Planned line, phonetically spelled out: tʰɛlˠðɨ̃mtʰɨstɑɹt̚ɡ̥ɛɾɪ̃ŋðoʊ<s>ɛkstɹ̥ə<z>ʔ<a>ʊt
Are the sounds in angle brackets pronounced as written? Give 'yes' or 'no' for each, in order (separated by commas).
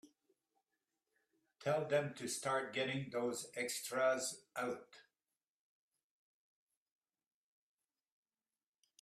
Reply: no, yes, yes